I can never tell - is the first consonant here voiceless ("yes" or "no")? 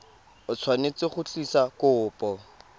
yes